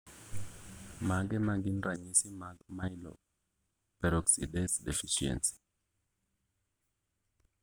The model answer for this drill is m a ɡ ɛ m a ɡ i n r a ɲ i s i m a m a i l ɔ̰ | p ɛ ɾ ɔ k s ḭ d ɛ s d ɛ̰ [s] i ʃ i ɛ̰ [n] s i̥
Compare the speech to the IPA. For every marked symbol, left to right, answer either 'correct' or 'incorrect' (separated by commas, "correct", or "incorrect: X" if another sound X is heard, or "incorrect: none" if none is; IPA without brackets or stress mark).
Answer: incorrect: f, correct